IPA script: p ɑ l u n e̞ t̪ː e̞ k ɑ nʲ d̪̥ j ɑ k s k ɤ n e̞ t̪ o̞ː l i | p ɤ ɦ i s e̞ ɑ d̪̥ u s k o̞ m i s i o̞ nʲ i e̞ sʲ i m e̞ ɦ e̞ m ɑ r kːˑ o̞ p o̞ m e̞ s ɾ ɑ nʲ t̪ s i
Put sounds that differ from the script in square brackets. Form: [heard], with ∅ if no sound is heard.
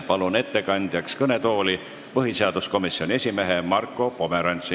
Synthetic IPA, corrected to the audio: p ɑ l u n e̞ t̪ː e̞ k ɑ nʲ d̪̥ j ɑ k s k ɤ n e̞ t̪ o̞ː l i | p ɤ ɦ i s e̞ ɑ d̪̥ u s k o̞ m i s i o̞ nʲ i e̞ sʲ i m e̞ ɦ e̞ m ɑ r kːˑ o̞ p o̞ m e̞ [∅] ɾ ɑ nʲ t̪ s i